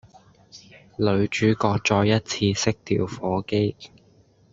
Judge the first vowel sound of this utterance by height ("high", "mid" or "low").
mid